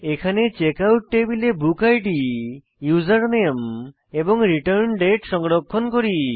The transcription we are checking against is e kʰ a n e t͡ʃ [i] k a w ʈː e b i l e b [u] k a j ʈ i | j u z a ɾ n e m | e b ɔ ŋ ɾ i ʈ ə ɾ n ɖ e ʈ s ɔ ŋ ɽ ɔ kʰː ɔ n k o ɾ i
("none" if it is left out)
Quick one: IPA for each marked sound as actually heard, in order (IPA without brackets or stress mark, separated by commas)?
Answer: e, u